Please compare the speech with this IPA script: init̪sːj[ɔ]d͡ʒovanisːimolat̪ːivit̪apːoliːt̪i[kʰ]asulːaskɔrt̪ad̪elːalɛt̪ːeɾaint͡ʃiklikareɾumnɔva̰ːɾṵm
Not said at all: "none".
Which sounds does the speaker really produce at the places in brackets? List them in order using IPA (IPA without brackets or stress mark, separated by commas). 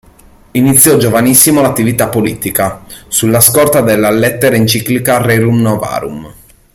ɔ, k